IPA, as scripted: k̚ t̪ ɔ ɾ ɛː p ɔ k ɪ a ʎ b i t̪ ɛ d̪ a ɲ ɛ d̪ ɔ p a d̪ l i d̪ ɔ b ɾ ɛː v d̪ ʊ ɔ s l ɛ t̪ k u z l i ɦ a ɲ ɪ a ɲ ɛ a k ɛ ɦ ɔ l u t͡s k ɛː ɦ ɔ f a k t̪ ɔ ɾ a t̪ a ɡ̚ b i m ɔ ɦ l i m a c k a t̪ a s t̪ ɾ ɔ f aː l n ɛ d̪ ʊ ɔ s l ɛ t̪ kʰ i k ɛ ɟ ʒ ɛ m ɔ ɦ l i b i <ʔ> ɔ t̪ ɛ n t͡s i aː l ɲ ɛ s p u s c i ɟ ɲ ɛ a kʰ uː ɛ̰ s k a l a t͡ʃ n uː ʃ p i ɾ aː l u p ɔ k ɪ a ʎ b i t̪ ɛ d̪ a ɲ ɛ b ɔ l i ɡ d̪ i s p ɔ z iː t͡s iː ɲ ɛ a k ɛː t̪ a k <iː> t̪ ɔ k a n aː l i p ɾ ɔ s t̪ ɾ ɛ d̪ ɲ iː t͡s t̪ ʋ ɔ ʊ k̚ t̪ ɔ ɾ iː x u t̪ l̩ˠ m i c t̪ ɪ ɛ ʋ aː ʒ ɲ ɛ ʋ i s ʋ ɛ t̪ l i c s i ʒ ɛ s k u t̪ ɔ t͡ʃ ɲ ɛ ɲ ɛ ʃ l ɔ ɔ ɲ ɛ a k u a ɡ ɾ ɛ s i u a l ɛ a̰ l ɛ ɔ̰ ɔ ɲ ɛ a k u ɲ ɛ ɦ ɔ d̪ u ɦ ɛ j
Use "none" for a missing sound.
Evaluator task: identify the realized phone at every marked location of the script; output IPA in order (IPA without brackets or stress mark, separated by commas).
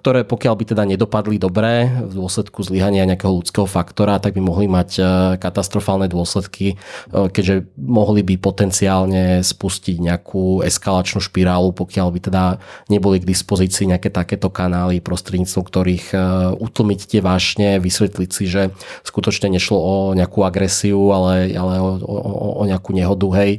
p, ɛː